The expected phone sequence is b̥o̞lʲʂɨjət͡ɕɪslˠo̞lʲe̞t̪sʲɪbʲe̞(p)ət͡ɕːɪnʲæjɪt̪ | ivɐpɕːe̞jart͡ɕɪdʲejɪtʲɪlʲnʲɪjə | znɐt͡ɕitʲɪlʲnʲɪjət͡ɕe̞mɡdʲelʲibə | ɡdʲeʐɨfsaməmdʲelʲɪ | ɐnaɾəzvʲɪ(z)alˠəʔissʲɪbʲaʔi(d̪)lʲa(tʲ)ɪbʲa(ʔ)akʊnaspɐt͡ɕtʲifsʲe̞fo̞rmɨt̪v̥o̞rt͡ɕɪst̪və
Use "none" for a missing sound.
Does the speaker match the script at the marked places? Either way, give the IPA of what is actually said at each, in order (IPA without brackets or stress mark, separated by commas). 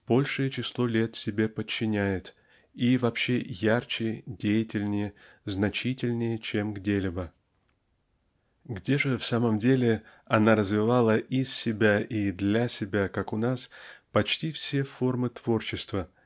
p, v, d̪, sʲ, k